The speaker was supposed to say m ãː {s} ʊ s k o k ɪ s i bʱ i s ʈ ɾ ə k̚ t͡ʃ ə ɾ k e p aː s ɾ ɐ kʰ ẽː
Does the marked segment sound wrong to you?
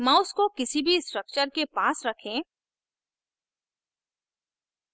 yes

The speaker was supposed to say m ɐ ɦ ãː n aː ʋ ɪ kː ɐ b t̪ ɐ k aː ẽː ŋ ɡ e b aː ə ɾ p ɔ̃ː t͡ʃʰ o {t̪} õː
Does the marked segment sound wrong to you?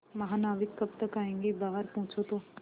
no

